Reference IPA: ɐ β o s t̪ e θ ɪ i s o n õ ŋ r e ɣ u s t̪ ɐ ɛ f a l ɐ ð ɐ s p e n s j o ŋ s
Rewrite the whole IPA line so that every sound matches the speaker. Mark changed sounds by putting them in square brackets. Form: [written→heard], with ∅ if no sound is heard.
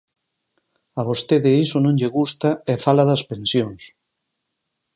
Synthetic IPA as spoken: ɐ β o s t̪ e [θ→ð] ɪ i s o n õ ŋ [r→ʎ] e ɣ u s t̪ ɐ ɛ f a l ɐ ð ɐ s p e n s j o ŋ s